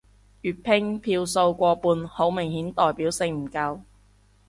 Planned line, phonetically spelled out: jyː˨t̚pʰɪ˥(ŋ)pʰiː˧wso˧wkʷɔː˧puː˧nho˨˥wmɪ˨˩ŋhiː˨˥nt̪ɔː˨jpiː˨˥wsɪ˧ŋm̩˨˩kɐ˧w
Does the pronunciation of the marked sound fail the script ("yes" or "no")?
no